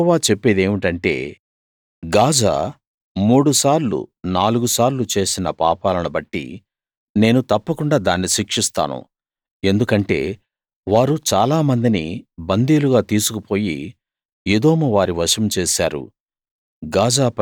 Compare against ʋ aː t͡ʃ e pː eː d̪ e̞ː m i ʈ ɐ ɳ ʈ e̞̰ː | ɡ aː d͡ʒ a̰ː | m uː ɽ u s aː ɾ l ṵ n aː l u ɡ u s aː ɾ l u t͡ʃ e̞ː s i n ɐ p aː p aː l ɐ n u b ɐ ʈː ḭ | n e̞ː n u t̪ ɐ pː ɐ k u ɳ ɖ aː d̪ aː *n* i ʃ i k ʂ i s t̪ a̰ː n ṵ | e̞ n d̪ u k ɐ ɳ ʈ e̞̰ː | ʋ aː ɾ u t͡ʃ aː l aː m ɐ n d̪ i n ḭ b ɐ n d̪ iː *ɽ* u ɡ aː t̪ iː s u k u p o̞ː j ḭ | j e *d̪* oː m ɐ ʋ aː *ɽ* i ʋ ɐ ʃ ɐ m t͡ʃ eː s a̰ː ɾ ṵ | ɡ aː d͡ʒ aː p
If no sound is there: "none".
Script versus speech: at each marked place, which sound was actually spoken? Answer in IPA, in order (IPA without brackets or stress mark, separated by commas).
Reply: nː, l, d̪, ɾ